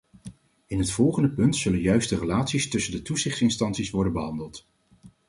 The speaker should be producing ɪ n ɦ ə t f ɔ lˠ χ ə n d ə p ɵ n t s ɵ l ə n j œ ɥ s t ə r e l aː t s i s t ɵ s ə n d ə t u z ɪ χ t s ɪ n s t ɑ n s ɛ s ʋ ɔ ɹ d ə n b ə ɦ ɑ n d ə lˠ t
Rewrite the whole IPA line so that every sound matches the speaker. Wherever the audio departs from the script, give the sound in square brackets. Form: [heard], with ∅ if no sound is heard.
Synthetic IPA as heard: ɪ n ɦ ə t f ɔ lˠ χ ə n d ə p ɵ n t s ɵ l ə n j œ ɥ s t ə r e l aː t s i s t ɵ s ə n d ə t u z ɪ χ t s ɪ n s t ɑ n s [i] s ʋ ɔ ɹ d ə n b ə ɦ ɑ n d ə lˠ t